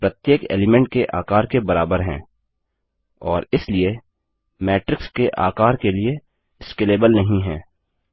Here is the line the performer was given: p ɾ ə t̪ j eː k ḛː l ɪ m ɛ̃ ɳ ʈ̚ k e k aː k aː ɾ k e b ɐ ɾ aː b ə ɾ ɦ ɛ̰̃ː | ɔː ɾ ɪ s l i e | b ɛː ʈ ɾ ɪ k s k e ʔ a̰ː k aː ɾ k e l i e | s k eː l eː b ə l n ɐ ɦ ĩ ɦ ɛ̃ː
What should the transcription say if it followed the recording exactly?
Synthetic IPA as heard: p ɾ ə t̪ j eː k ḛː l ɪ m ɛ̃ ɳ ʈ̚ k e ʔ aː k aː ɾ k e b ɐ ɾ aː b ə ɾ ɦ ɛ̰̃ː | ɔː ɾ ɪ s l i e | m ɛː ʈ ɾ ɪ k s k e ʔ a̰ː k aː ɾ k e l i e | s k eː l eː b ə l n ɐ ɦ ĩ ɦ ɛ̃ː